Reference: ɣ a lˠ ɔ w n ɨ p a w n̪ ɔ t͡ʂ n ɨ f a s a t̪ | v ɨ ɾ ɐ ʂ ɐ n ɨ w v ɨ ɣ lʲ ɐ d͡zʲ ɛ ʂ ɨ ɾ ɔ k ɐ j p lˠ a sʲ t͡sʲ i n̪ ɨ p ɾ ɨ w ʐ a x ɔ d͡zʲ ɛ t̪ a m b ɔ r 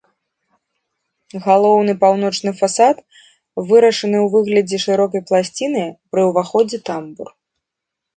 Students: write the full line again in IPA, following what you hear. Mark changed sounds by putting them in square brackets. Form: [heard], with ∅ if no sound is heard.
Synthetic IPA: ɣ a lˠ ɔ w n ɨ p a w n̪ ɔ t͡ʂ n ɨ f a s a t̪ | v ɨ ɾ ɐ ʂ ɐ n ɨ w v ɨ ɣ lʲ ɐ d͡zʲ ɛ ʂ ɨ ɾ ɔ k ɐ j p lˠ a sʲ t͡sʲ i n̪ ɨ p ɾ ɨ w [v] a x ɔ d͡zʲ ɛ t̪ a m b [u] r